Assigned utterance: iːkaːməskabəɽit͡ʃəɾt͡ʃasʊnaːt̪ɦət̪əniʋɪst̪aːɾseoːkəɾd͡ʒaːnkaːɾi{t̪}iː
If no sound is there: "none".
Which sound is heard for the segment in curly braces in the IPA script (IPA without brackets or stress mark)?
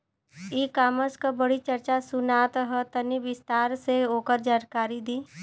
d̪